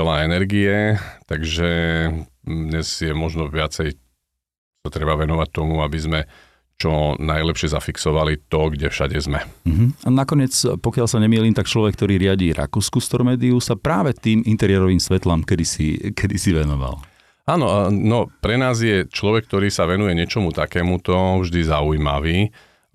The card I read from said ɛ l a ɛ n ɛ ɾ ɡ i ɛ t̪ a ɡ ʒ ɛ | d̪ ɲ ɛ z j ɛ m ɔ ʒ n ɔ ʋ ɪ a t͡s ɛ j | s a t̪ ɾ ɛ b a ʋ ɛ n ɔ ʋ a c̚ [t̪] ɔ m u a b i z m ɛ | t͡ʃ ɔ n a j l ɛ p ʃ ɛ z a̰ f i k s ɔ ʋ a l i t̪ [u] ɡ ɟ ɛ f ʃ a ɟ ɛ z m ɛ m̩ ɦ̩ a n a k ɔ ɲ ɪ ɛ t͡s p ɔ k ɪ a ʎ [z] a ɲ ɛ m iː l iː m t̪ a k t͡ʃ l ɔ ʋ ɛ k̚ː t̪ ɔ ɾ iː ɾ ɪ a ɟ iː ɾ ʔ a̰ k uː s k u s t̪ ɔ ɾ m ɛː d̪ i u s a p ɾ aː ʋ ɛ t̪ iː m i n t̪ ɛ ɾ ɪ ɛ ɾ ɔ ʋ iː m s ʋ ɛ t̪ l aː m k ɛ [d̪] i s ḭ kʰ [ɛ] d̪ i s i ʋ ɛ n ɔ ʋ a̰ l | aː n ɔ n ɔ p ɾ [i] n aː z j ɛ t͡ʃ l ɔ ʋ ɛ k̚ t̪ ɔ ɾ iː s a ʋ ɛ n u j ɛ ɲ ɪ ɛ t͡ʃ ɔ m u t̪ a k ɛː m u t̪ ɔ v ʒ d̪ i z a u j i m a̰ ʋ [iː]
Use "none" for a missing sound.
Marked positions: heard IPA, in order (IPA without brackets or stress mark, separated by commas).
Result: t̪, ɔ, s, d̪, ɛ, ɛ, iː